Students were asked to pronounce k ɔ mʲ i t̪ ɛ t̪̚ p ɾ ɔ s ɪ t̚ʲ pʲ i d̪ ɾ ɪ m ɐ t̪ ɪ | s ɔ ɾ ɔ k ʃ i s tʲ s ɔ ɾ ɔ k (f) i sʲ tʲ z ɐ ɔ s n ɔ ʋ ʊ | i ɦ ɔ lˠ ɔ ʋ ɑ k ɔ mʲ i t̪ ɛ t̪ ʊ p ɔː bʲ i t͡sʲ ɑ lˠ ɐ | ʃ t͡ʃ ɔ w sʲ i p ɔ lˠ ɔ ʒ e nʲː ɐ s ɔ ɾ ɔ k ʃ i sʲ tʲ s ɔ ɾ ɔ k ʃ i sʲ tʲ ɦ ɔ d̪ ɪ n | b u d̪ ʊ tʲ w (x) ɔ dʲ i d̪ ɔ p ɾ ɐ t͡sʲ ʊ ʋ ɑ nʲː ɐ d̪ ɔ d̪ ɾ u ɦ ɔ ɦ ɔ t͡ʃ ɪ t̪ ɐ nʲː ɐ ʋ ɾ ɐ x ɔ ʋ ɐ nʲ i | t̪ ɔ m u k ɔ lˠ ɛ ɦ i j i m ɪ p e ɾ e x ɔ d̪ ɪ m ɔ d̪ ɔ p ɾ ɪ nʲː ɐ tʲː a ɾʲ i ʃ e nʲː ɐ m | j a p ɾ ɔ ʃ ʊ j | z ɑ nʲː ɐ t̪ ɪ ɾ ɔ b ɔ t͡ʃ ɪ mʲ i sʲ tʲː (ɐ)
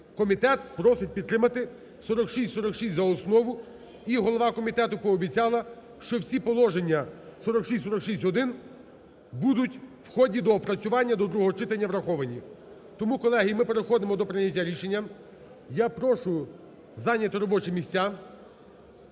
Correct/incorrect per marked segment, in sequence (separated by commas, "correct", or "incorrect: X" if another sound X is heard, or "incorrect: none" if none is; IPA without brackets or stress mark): incorrect: ʃ, correct, incorrect: a